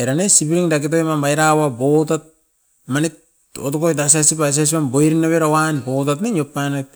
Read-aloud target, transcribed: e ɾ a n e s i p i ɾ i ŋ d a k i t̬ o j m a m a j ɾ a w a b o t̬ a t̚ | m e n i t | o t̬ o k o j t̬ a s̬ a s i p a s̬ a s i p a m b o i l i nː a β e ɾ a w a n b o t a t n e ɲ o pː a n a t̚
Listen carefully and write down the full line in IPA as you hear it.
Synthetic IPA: e ɾ a n e s i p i ɾ i ŋ d a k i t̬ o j m a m a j ɾ a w a b o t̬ a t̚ | m a n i t | o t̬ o k o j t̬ a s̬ a s i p a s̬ a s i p a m b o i ɾ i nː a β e ɾ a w a n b o t a t n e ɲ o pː a n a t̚